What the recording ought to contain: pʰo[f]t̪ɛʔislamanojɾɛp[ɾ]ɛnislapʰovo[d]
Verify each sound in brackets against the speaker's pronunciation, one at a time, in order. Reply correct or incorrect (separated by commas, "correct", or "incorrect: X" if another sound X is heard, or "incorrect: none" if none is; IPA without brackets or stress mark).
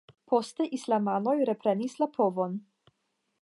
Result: incorrect: s, correct, incorrect: n